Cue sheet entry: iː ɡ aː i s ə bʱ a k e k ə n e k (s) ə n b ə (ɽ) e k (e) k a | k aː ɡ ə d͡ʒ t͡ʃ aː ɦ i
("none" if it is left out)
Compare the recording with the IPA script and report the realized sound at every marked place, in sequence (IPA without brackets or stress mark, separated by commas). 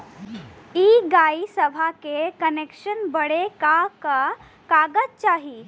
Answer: ʃ, ɽ, a